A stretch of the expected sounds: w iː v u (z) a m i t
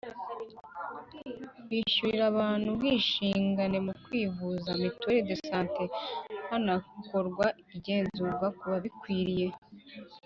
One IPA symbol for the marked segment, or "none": z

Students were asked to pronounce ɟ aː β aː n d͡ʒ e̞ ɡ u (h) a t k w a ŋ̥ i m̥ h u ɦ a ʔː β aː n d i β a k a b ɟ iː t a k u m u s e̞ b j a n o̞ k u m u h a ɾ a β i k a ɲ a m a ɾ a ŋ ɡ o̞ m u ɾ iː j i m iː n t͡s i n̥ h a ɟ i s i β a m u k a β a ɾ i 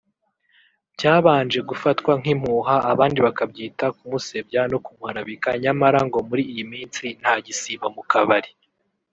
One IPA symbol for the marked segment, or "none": f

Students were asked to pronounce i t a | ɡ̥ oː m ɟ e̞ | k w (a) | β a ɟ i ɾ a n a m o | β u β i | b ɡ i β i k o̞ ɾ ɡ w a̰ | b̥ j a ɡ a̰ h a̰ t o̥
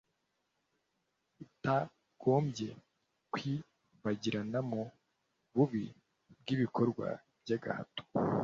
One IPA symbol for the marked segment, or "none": i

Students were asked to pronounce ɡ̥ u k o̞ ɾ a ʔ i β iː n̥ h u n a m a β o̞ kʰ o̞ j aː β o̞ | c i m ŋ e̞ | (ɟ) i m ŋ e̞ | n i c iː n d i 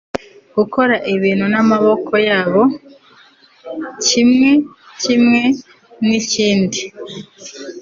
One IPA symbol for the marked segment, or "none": c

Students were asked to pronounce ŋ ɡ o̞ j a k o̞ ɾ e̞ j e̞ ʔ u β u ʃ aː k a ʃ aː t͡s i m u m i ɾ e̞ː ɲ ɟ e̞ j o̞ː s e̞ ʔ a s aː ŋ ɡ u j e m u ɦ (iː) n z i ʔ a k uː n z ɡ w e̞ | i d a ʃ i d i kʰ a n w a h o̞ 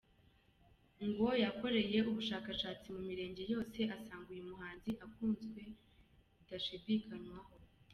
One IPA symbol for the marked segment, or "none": aː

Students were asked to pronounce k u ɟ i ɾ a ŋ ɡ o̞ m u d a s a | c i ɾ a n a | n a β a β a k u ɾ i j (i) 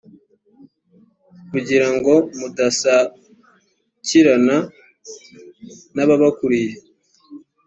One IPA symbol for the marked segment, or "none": e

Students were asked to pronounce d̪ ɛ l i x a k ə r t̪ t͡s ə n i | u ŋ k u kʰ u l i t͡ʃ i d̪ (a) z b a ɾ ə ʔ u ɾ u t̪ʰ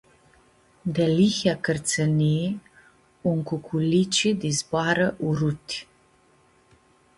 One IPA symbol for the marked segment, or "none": i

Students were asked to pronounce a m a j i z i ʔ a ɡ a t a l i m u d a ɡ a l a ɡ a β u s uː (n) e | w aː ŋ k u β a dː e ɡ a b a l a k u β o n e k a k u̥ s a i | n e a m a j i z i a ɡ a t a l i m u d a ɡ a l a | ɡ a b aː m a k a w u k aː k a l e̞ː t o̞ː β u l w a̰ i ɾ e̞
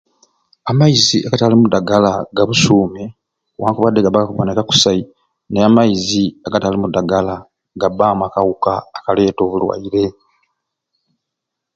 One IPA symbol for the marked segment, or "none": m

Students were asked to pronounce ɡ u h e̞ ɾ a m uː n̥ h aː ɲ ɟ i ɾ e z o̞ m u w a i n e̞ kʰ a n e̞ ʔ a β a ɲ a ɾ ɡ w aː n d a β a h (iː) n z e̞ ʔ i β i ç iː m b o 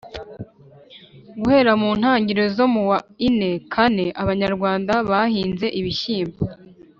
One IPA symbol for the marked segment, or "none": iː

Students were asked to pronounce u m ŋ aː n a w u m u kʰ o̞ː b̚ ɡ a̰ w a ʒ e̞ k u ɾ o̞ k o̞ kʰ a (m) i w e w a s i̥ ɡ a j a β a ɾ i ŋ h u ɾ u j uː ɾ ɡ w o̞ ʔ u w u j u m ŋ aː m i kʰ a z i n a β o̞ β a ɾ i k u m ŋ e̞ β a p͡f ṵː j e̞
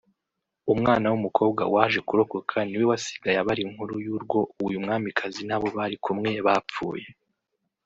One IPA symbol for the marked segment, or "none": n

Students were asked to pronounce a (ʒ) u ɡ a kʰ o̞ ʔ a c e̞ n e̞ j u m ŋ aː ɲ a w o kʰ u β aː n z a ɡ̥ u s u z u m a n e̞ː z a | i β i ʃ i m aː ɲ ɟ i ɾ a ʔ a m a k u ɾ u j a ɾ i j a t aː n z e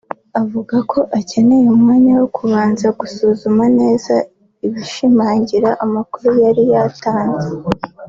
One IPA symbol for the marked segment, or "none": v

